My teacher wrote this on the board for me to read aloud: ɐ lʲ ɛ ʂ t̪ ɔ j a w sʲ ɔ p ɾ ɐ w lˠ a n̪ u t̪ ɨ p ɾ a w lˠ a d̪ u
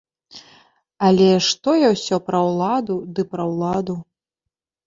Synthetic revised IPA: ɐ lʲ ɛ ʂ t̪ ɔ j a w sʲ ɔ p ɾ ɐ w lˠ a d̪ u d̪ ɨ p ɾ ɐ w lˠ a d̪ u